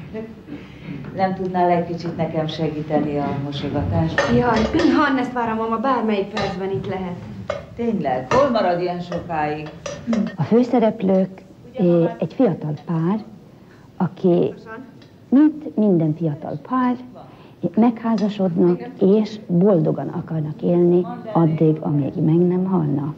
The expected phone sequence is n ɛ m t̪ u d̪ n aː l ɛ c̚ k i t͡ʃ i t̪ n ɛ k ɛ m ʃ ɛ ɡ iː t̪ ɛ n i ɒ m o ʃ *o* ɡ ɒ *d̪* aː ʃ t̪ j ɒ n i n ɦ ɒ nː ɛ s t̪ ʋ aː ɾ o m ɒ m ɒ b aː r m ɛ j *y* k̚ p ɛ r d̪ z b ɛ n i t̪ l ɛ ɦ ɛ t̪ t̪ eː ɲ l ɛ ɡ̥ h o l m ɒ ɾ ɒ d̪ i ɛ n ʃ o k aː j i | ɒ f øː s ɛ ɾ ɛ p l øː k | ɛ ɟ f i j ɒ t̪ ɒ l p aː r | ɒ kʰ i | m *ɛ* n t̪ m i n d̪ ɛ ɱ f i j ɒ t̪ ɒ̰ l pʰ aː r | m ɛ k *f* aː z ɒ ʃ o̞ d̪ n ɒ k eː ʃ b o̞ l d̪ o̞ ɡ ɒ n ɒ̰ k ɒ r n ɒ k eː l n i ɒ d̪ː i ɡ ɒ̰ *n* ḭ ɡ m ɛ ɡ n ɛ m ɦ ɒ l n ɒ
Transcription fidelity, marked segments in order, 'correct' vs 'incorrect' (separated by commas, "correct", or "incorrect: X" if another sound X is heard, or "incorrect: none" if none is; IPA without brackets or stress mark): correct, incorrect: t̪, incorrect: i, incorrect: i, incorrect: h, incorrect: m